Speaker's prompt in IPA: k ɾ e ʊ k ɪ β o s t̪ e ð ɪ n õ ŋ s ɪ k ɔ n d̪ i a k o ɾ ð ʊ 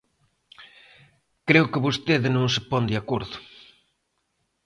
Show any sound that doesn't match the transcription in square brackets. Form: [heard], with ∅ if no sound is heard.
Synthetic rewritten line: k ɾ e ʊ k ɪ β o s t̪ e ð ɪ n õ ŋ s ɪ [p] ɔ n d̪ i a k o ɾ ð ʊ